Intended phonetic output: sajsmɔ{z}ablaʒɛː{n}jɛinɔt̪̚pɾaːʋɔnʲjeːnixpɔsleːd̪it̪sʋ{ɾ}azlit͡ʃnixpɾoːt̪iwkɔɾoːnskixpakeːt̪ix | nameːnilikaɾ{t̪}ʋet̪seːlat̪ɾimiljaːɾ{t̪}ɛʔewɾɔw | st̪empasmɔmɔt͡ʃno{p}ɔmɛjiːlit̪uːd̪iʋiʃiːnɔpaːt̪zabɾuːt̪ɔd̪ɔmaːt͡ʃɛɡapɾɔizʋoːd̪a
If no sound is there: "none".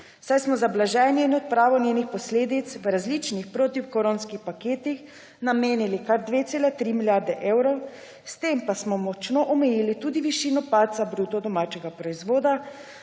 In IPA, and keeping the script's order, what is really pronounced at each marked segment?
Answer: z, n, ɾ, d̪, d̪, ʔ

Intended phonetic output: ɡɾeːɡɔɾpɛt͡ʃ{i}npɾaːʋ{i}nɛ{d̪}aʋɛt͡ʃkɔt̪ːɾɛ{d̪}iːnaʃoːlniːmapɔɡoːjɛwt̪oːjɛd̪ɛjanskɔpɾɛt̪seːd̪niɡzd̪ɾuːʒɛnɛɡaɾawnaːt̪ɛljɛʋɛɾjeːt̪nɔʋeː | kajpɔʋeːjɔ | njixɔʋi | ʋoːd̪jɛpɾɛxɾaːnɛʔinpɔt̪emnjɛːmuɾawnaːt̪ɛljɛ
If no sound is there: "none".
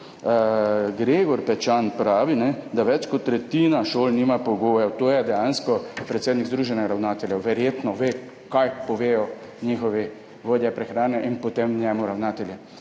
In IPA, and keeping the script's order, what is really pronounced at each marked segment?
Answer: a, i, d̪, t̪

